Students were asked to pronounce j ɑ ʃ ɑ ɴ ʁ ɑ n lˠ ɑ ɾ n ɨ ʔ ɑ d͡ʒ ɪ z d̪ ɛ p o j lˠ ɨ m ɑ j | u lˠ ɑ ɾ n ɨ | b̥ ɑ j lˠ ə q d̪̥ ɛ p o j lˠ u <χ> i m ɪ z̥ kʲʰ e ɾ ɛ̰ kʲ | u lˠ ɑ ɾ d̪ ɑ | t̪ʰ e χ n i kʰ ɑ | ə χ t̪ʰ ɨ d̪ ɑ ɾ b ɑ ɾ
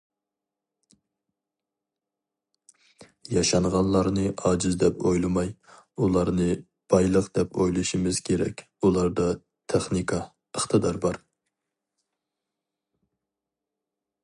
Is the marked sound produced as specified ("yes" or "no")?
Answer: no